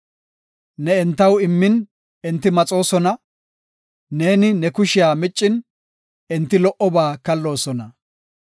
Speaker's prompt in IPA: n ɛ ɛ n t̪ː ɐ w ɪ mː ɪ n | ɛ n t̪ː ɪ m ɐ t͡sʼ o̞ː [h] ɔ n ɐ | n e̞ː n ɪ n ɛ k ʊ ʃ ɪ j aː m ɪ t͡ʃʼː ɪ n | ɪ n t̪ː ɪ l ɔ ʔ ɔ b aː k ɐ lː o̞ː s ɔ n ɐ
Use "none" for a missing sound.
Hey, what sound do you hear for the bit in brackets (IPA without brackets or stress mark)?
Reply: s